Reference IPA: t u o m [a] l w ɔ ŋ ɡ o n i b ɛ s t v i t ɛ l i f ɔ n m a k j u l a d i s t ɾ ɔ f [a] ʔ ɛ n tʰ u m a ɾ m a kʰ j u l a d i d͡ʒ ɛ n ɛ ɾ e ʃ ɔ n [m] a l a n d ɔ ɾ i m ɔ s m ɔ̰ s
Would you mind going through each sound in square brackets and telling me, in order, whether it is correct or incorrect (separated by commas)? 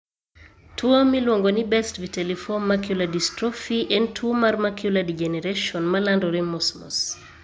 incorrect, incorrect, correct